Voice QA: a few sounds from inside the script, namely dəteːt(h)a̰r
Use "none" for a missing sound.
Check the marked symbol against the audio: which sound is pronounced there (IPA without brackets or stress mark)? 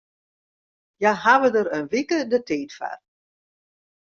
f